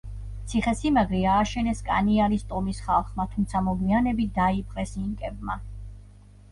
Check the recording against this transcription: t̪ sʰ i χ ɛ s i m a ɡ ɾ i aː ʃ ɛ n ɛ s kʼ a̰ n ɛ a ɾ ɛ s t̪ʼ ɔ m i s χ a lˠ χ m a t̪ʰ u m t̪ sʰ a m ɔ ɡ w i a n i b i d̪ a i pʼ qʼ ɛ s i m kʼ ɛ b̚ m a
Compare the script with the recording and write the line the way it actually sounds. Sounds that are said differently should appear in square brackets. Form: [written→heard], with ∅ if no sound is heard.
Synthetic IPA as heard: t̪ sʰ i χ ɛ s i m a ɡ ɾ i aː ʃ ɛ n ɛ s kʼ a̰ n [ɛ→i] a ɾ [ɛ→i] s t̪ʼ ɔ m i s χ a lˠ χ m a t̪ʰ u m t̪ sʰ a m ɔ ɡ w i a n [i→ɛ] b i d̪ a i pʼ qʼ ɛ s i [m→ŋ] kʼ ɛ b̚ m a